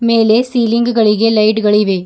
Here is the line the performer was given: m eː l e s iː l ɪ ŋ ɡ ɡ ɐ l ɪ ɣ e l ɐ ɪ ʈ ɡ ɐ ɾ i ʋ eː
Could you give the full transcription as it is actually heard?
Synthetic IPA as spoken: m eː l e s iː l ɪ ŋ ɡ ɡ ɐ ɭ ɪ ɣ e l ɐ ɪ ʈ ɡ ɐ ɭ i ʋ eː